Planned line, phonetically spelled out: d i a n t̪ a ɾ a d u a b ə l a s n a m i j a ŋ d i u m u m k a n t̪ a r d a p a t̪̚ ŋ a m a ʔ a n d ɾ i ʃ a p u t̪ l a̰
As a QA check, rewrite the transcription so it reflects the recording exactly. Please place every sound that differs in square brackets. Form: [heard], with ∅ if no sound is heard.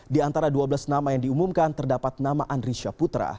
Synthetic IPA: d i a n t̪ a ɾ a d u a b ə l a s n a m [a] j a ŋ d i u m u m k a n t̪ [ə] r d a p a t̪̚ [n] a m a ʔ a n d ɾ i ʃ a p u t̪ [ɾ] a̰